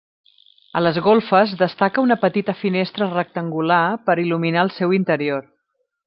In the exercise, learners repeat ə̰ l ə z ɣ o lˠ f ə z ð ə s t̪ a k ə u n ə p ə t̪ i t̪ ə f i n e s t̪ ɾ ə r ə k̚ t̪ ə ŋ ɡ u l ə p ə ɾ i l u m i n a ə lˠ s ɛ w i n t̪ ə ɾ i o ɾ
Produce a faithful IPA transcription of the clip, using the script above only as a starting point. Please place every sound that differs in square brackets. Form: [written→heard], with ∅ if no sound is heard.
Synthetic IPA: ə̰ l ə z ɣ o lˠ f ə z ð ə s t̪ a k ə u n ə p ə t̪ i t̪ ə f i n e s t̪ ɾ ə r ə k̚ t̪ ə ŋ ɡ u l [ə→a] p ə ɾ i l u m i n a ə lˠ s ɛ w i n t̪ ə ɾ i o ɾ

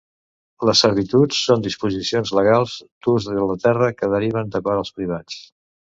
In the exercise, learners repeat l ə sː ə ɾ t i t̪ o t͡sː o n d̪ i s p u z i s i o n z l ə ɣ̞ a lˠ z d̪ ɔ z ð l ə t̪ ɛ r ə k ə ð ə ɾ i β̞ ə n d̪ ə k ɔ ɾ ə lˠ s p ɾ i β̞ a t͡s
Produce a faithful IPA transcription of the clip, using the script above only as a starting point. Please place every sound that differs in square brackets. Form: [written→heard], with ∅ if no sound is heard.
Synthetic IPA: l ə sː ə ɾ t i t̪ [o→u] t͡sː o n d̪ i s p u z i s i o n z l ə ɣ̞ a lˠ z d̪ [ɔ→u] z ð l ə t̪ ɛ r ə k ə ð ə ɾ i β̞ ə n d̪ ə k ɔ ɾ ə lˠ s p ɾ i β̞ a t͡s

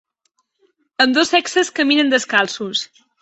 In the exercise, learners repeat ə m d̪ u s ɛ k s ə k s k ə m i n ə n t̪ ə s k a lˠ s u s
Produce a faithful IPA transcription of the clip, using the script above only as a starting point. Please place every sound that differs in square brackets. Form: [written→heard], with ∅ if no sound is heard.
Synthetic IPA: ə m d̪ [u→o] s ɛ k s ə [k→∅] s k ə m i n ə n [t̪→d̪] ə s k a lˠ s u s

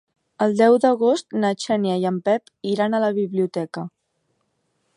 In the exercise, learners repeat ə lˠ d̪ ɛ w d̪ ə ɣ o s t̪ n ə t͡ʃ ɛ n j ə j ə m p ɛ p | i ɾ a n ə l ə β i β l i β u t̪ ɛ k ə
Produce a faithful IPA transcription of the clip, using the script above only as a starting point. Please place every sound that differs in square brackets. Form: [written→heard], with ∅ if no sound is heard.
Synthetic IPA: ə lˠ d̪ ɛ w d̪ ə ɣ o s t̪ n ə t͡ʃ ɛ n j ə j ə m p ɛ p | i ɾ a n ə l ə β i β l i [β→∅] u t̪ ɛ k ə

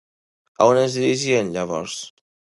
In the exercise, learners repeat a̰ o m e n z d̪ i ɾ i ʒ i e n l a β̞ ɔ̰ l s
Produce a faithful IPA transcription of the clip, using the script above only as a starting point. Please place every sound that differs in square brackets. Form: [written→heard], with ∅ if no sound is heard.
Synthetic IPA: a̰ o [m→n] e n z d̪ i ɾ i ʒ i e n [l→ʎ] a β̞ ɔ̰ [l→ɾ] s

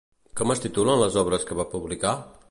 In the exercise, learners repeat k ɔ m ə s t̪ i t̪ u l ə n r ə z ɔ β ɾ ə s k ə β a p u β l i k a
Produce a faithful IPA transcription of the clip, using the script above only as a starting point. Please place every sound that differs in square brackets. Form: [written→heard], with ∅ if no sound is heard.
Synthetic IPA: k ɔ m ə s t̪ i t̪ u l ə n [r→l] ə z ɔ β ɾ ə s k ə β a p u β l i k a

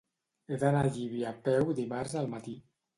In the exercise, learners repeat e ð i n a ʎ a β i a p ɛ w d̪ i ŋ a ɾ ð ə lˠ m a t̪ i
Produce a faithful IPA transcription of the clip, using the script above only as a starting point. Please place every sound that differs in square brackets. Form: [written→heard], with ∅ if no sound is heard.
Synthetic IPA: e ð [i→a] n a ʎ [a→i] β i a p ɛ w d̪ i [ŋ→m] a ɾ [ð→z] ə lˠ m a t̪ i

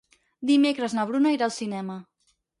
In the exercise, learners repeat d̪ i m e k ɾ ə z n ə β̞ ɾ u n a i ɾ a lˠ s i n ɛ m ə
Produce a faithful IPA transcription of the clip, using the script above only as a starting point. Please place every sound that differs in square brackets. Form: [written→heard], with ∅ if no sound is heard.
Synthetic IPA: d̪ i m e k ɾ ə z n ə β̞ ɾ u n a i ɾ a lˠ s i n ɛ m ə

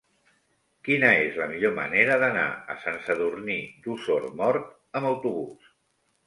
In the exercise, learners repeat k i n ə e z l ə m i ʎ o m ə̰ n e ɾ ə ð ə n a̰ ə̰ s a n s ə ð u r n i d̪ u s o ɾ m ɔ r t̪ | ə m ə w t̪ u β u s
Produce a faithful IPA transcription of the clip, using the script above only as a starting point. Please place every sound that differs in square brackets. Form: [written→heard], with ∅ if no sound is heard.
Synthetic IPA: k i n ə e z l ə m i ʎ o m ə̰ n e ɾ ə ð ə n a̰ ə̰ s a n s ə ð u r n i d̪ u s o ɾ m ɔ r t̪ | ə m ə w t̪ u β u s

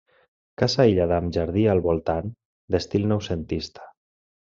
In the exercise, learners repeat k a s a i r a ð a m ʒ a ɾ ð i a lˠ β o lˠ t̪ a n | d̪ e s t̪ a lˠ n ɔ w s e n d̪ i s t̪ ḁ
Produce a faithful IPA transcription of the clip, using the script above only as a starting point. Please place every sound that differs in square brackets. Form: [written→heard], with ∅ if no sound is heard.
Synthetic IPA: k a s a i [r→ʎ] a ð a m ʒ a ɾ ð i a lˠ β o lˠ t̪ a n | d̪ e s t̪ [a→i] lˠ n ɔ w s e n [d̪→t̪] i s t̪ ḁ

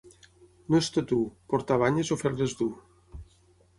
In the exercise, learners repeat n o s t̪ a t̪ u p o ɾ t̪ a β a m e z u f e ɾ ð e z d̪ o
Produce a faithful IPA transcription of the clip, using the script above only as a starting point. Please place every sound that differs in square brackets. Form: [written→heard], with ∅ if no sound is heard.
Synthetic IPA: n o s t̪ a t̪ u p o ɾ t̪ a β a [m→ɲ] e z [u→o] f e ɾ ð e z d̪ [o→u]

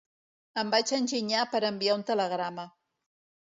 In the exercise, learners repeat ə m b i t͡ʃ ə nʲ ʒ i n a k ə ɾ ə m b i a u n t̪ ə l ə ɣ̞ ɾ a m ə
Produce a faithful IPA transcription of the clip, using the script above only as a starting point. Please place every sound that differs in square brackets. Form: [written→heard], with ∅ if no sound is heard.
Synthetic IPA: ə m b [i→a] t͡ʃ ə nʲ ʒ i [n→ɲ] a [k→p] ə ɾ ə m b i a u n t̪ ə l ə ɣ̞ ɾ a m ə

